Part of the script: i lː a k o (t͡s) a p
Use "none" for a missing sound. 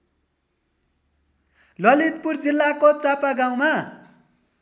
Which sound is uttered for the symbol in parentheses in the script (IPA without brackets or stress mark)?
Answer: t͡s